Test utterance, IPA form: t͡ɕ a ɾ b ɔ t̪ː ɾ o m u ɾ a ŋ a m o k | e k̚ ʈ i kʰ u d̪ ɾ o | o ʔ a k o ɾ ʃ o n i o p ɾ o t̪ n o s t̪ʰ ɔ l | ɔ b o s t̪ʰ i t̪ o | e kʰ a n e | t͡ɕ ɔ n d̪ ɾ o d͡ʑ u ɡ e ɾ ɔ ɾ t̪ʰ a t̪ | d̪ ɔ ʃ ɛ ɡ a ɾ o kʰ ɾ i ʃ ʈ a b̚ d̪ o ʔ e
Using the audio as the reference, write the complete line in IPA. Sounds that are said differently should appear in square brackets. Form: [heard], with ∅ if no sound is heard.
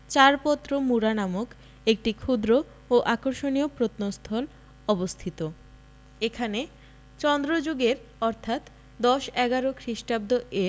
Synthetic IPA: t͡ɕ a ɾ [p] ɔ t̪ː ɾ o m u ɾ a [n] a m o k | e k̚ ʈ i kʰ u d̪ ɾ o | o ʔ a k o ɾ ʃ o n i o p ɾ o t̪ n o s t̪ʰ ɔ l | ɔ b o s t̪ʰ i t̪ o | e kʰ a n e | t͡ɕ ɔ n d̪ ɾ o d͡ʑ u ɡ e ɾ ɔ ɾ t̪ʰ a t̪ | d̪ ɔ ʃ ɛ ɡ a ɾ o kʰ ɾ i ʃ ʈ a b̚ d̪ o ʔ e